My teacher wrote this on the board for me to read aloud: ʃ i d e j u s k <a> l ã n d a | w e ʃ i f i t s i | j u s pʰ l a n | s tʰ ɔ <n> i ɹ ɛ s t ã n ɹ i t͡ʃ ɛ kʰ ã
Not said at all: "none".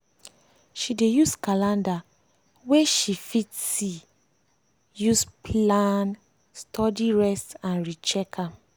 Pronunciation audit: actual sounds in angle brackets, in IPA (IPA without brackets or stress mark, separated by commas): a, d